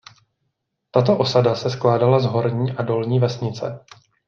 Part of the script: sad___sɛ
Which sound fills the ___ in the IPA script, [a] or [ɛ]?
a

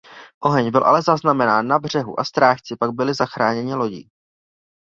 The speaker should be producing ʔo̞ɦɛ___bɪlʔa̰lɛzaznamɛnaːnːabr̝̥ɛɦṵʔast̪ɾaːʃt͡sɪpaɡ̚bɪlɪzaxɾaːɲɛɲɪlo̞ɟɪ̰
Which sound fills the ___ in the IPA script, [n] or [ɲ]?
ɲ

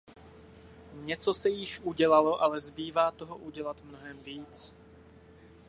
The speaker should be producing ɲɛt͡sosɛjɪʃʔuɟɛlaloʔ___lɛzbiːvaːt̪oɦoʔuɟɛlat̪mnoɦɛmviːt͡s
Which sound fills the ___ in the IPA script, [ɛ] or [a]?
a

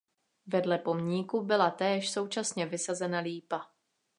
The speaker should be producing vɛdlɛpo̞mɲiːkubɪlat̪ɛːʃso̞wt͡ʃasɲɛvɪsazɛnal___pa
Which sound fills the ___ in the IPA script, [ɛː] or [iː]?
iː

